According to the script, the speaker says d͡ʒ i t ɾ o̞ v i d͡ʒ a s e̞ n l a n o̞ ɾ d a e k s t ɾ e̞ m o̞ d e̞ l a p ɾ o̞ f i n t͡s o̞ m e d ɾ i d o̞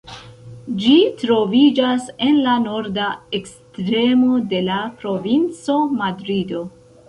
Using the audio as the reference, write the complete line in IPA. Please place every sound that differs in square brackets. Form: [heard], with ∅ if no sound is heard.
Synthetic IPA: d͡ʒ i t ɾ o̞ v i d͡ʒ a s e̞ n l a n o̞ ɾ d a e k s t ɾ e̞ m o̞ d e̞ l a p ɾ o̞ [v] i n t͡s o̞ m [a] d ɾ i d o̞